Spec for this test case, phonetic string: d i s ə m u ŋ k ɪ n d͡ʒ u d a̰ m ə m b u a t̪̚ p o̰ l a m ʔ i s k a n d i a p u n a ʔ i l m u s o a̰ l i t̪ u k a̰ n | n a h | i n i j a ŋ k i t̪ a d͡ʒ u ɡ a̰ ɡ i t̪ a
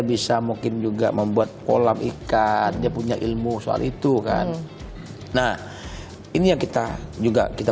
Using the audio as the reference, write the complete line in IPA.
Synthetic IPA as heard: b i s a m u ŋ k ɪ n d͡ʒ u ɡ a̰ m ə m b u a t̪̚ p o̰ l a m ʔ i k a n d i a p u ɲ a ʔ i l m u s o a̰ l i t̪ u k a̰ n | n a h | i n i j a ŋ k i t̪ a d͡ʒ u ɡ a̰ k i t̪ a